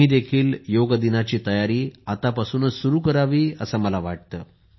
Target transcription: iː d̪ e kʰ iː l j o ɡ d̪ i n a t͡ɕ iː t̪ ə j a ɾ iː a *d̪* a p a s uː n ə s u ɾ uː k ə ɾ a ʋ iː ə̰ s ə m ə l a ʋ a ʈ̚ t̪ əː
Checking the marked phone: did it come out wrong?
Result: yes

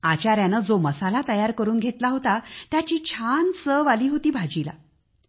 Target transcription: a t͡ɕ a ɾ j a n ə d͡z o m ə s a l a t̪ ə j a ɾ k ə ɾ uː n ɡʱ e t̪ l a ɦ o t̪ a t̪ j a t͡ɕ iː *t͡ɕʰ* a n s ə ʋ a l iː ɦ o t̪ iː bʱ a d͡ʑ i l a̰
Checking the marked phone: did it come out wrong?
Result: no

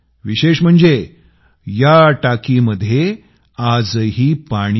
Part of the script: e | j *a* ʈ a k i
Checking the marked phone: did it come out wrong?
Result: no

